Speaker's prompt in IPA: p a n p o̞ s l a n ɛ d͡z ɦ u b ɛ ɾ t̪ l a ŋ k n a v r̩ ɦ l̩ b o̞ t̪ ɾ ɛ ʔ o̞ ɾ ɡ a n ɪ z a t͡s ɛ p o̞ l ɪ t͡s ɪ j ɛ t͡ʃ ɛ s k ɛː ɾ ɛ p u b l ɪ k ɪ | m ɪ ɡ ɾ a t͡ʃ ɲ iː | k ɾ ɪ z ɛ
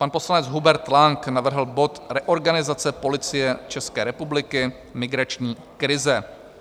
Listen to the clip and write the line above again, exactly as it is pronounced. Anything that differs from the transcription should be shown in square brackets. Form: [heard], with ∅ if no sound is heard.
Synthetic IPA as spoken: p a n p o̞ s l a n ɛ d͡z ɦ u b ɛ ɾ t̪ l a ŋ k n a v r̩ ɦ l̩ b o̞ t̪ ɾ ɛ ʔ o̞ ɾ ɡ a n ɪ z a t͡s ɛ p o̞ l ɪ t͡s ɪ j ɛ t͡ʃ ɛ s k ɛː ɾ ɛ p u b l ɪ k ɪ | m ɪ ɡ ɾ a t͡ʃ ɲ iː | k ɾ ɪ z ɛ